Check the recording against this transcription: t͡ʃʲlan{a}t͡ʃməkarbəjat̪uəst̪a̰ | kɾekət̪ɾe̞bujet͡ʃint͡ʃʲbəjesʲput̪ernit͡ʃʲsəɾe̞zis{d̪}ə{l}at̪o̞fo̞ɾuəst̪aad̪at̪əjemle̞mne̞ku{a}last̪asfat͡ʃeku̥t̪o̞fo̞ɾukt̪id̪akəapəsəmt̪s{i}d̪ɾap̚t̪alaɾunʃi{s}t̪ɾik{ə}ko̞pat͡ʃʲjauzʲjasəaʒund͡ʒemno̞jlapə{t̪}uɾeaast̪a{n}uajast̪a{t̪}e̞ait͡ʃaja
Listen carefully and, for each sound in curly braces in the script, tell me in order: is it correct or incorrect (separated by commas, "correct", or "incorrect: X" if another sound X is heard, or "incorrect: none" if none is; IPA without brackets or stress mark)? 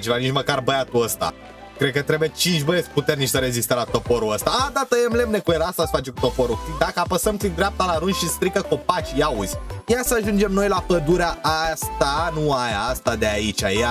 incorrect: i, incorrect: t̪, correct, incorrect: e, correct, correct, correct, incorrect: d̪, correct, incorrect: d̪